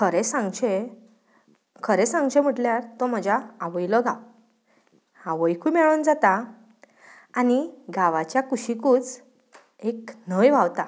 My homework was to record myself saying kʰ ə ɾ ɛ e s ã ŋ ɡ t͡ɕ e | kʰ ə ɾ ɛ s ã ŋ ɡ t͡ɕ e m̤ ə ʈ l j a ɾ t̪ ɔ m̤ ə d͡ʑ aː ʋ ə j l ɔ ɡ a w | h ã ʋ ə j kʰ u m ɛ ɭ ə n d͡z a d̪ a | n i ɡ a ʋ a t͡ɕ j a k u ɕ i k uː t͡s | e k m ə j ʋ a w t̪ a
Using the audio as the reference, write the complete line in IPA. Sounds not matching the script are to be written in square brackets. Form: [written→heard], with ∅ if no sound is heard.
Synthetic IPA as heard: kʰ ə ɾ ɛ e s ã ŋ ɡ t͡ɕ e | kʰ ə ɾ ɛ s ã ŋ ɡ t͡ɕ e m̤ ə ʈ l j a ɾ t̪ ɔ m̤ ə d͡ʑ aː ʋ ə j l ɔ ɡ a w | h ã ʋ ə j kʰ u m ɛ ɭ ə n d͡z a [d̪→t̪] a | n i ɡ a ʋ a t͡ɕ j a k u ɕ i k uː t͡s | e k [m→n] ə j ʋ a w t̪ a